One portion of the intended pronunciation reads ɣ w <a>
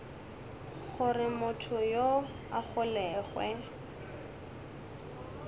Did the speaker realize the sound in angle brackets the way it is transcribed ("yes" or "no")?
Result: no